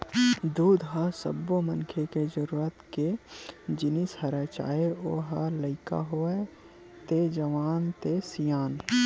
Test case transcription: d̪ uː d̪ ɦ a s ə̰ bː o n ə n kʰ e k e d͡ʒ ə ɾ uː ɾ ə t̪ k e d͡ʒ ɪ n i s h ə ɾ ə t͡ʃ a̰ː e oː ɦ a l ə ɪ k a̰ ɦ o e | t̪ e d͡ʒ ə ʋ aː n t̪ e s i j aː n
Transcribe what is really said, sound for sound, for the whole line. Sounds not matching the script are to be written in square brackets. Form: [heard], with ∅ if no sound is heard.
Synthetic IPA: d̪ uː d̪ ɦ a s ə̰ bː o [m] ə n kʰ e k e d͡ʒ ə ɾ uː ɾ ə t̪ k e d͡ʒ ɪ n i s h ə ɾ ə t͡ʃ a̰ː e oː ɦ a l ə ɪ k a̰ ɦ o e | t̪ e d͡ʒ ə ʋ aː n t̪ e s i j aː n